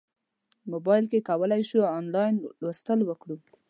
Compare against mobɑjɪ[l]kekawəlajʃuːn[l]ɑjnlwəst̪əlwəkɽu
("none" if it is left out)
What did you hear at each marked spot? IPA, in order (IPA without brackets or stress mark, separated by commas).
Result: l, l